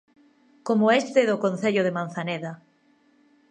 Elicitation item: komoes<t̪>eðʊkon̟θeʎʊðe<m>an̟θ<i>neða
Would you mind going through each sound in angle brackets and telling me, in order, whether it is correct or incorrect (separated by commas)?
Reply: correct, correct, incorrect